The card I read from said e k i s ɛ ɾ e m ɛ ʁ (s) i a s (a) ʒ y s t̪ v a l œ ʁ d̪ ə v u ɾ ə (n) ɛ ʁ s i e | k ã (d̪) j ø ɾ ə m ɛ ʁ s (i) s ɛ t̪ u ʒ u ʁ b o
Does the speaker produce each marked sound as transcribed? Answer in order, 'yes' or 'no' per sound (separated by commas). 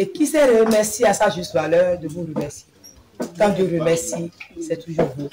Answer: yes, yes, no, yes, yes